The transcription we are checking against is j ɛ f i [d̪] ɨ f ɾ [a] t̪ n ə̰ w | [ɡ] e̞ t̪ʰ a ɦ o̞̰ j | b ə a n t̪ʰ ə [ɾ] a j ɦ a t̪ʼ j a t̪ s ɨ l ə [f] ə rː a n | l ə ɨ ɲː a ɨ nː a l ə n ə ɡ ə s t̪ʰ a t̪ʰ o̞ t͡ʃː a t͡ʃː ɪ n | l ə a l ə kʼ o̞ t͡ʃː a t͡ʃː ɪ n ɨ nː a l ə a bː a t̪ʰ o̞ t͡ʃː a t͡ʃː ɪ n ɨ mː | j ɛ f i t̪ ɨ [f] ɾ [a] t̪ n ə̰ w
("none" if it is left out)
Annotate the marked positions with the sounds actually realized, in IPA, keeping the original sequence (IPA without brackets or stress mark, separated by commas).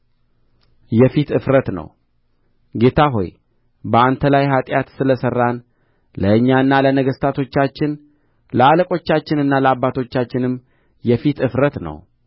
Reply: t̪, ə, ɡ, l, s, f, ə